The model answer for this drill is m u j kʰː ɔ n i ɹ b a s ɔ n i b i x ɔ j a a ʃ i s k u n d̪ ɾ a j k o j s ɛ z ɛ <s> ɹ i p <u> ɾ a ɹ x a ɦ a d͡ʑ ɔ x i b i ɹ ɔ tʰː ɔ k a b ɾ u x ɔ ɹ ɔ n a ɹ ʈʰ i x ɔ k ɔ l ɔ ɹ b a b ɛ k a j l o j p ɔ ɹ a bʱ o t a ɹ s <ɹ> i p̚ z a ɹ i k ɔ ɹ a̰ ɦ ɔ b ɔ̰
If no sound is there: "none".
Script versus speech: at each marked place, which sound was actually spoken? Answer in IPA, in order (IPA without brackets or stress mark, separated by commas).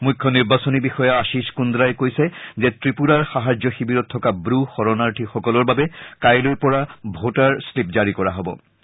t, u, l